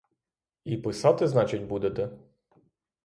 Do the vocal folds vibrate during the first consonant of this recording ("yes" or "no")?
no